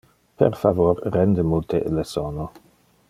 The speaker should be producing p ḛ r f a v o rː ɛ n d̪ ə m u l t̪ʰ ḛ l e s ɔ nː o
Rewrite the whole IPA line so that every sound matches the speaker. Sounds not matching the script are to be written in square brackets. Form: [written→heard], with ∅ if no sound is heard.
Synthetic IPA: p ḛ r f a v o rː ɛ n d̪ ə m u l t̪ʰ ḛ l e s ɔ [nː→n] o